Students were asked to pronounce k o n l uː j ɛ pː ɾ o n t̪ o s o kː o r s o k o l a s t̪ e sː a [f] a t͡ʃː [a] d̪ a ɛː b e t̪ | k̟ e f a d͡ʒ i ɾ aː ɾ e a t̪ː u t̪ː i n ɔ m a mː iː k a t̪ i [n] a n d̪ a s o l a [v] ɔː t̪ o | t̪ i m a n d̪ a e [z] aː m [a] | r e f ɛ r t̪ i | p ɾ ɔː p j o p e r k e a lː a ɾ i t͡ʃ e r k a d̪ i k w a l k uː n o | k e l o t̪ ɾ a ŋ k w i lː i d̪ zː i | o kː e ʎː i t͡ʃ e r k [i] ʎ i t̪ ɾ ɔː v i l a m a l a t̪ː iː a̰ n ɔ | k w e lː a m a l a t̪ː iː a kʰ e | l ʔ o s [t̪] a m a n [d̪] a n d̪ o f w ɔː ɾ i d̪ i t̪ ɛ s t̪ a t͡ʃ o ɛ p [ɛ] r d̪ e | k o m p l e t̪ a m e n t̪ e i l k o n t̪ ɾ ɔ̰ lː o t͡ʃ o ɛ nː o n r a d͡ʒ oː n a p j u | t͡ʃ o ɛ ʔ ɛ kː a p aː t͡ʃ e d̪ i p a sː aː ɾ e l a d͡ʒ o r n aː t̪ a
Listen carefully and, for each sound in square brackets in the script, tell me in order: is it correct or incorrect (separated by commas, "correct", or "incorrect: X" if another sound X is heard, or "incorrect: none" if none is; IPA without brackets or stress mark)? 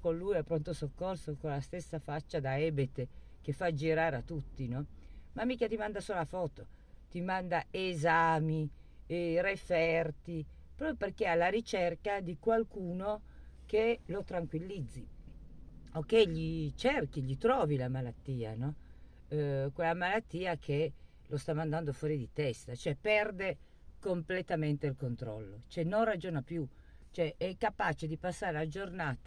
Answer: correct, correct, incorrect: m, incorrect: f, correct, incorrect: i, correct, correct, correct, correct